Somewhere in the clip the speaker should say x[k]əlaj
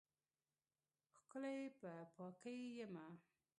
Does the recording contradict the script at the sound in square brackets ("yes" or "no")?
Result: no